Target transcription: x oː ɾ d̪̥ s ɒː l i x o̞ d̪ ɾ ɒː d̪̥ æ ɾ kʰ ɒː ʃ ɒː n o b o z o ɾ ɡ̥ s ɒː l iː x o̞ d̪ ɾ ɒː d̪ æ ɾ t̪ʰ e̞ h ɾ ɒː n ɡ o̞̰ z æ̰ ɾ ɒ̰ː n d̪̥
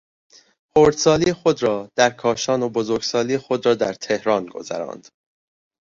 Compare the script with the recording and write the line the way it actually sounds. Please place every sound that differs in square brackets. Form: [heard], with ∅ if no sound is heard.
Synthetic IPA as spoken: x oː ɾ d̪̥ s ɒː l i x o̞ d̪ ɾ ɒː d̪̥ æ ɾ kʰ ɒː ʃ ɒː n o b o z o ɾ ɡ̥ s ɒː l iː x o̞ d̪ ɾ ɒː d̪ æ ɾ t̪ʰ e̞ h ɾ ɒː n ɡ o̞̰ z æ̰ ɾ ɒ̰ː n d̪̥